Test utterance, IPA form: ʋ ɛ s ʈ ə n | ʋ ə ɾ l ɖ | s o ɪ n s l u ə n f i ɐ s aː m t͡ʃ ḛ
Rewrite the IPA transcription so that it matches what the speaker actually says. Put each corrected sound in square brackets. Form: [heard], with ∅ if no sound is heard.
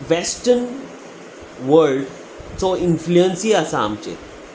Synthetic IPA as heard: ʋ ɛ s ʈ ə n | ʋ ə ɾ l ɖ | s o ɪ n [f] l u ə n [s] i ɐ s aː m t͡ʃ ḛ